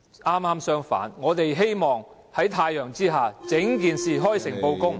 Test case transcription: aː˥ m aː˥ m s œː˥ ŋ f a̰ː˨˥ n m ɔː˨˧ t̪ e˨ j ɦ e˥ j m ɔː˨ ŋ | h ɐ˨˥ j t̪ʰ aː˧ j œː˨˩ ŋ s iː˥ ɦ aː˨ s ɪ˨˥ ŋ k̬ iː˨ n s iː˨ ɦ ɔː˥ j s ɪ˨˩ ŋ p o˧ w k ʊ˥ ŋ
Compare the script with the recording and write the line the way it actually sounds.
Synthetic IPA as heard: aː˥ m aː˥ m s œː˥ ŋ f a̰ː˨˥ n ŋ ɔː˨˧ t̪ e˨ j ɦ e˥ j m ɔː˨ ŋ | h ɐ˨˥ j t̪ʰ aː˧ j œː˨˩ ŋ t͡s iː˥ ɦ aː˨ t͡s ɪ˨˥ ŋ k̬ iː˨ n s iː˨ ɦ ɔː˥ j s ɪ˨˩ ŋ p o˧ w k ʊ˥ ŋ